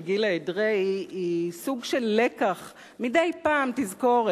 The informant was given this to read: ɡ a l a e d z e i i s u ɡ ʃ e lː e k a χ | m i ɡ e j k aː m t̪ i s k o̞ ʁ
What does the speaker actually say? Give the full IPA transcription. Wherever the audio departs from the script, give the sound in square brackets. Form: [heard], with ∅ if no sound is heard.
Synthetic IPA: ɡ [i] l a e d [ʁ] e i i s u ɡ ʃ e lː e k a χ | m i [d] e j [p] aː m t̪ i [z] k o̞ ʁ